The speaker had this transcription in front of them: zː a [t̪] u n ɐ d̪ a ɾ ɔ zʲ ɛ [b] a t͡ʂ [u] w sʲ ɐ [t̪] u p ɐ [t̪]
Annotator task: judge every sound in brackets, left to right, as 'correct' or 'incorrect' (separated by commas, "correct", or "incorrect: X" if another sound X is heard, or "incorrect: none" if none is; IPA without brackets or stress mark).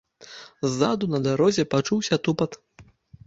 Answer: incorrect: d̪, incorrect: p, correct, correct, correct